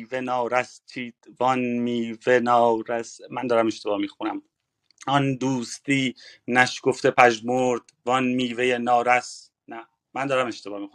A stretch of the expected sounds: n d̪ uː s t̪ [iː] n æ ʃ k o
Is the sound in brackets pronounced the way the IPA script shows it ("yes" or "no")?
yes